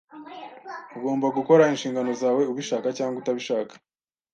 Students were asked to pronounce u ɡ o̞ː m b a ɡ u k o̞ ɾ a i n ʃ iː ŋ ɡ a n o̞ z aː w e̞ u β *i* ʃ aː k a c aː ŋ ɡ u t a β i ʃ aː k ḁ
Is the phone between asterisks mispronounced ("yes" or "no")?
no